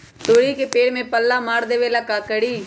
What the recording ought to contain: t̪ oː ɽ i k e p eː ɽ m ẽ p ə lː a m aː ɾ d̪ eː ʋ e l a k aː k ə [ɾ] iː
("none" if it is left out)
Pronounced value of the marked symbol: ɽ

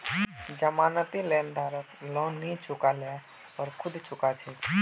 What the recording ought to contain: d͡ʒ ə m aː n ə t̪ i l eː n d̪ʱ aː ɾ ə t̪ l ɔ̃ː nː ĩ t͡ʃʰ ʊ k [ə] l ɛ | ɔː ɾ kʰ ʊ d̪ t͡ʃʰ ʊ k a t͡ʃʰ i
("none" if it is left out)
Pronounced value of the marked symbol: a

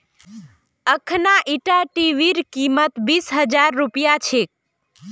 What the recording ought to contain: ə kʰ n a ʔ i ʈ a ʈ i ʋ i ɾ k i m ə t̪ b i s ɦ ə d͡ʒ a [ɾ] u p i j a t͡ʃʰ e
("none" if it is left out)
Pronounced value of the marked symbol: ɾː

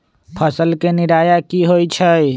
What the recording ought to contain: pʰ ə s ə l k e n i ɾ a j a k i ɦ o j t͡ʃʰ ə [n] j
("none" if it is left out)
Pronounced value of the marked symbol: none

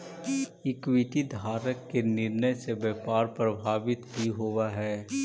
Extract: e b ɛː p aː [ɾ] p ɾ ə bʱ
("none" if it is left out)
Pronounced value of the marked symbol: ɾ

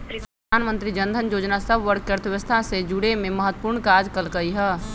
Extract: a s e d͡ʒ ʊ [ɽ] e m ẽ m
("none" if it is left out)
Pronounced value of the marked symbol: ɽ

